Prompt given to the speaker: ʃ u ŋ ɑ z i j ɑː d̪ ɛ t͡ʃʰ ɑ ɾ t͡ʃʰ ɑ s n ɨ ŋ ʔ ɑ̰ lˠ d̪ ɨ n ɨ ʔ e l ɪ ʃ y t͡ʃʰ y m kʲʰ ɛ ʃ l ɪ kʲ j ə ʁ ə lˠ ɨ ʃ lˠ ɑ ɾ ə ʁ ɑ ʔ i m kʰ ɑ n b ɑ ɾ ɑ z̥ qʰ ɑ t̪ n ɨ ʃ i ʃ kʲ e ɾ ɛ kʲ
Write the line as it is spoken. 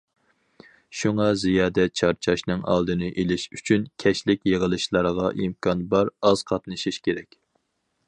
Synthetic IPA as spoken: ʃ u ŋ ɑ z i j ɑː d̪ ɛ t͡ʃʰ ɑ ɾ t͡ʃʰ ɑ ʃ n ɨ ŋ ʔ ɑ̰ lˠ d̪ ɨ n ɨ ʔ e l ɪ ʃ y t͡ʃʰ y n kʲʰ ɛ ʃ l ɪ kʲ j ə ʁ ə lˠ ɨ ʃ lˠ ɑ ɾ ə ʁ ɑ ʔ i m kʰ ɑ n b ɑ ɾ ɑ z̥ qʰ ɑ t̪ n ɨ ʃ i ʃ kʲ e ɾ ɛ kʲ

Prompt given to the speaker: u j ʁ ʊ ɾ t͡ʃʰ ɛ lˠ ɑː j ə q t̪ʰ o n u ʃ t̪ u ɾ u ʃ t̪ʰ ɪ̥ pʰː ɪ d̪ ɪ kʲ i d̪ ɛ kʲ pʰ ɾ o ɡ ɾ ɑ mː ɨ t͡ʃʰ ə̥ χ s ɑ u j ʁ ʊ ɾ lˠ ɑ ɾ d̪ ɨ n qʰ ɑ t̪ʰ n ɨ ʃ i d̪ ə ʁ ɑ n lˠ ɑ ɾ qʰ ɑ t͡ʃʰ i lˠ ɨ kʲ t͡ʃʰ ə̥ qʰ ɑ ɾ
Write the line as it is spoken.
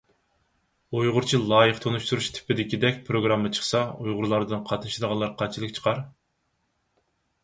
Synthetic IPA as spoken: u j ʁ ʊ ɾ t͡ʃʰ i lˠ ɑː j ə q t̪ʰ o n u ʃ t̪ u ɾ u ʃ t̪ʰ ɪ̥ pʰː ɪ d̪ ɪ kʲ i d̪ ɛ kʲ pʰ ɾ o ɡ ɾ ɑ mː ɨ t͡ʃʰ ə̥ χ s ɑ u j ʁ ʊ ɾ lˠ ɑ ɾ d̪ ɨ n qʰ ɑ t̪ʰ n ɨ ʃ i d̪ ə ʁ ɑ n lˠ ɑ ɾ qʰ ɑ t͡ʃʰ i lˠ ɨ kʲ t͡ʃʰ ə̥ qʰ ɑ ɾ

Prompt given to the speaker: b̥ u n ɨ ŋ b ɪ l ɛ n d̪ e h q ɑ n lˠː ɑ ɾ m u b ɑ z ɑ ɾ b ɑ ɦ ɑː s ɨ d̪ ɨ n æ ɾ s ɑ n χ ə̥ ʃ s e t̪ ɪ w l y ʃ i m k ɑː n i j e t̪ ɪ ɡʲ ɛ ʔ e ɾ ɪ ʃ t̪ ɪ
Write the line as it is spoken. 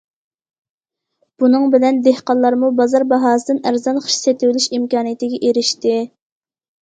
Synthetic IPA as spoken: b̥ u n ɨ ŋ b ɪ l ɛ n d̪ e h q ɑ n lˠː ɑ ɾ m u b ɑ z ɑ ɾ b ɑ ɦ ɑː s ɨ d̪ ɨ n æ ɾ z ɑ n χ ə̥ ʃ s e t̪ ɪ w l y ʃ i m k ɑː n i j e t̪ ɪ ɡʲ ɛ ʔ e ɾ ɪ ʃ t̪ ɪ

